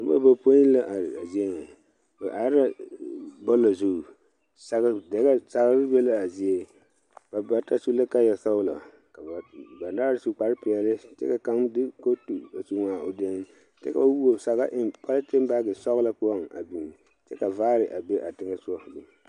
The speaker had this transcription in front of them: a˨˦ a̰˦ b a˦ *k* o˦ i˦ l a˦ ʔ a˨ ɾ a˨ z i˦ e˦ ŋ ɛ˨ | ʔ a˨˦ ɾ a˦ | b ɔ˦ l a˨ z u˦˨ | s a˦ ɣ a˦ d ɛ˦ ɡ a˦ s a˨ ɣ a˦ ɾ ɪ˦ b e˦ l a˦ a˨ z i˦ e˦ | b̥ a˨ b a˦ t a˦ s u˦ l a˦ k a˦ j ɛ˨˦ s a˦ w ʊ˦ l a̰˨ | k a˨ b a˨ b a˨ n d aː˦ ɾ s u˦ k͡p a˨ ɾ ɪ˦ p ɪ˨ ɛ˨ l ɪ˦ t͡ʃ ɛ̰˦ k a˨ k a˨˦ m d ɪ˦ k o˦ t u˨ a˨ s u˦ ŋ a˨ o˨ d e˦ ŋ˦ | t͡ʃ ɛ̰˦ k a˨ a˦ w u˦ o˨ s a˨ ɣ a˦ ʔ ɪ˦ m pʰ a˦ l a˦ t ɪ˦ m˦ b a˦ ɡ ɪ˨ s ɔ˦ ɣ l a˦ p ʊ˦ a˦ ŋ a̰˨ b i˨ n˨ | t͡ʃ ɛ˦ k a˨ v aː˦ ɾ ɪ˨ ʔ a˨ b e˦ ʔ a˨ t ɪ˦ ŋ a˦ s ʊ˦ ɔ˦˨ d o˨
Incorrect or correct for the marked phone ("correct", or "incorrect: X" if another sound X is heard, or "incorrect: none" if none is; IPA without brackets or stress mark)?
incorrect: p